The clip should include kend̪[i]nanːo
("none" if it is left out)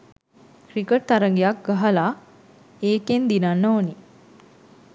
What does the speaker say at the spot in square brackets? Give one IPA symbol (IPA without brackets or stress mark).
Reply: i